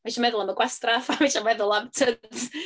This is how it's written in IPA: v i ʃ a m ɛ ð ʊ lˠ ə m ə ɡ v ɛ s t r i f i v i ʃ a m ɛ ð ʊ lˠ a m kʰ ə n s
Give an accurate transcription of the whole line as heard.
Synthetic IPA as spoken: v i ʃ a m ɛ ð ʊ lˠ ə m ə ɡ w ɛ s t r a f a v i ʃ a m ɛ ð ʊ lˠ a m tʰ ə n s